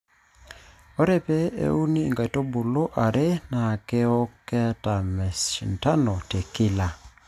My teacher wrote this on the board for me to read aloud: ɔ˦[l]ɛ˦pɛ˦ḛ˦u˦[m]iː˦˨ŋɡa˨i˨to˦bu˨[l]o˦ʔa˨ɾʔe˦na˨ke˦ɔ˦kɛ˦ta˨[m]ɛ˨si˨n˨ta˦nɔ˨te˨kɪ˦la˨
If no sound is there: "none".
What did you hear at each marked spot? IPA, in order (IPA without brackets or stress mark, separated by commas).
ɾ, n, l, m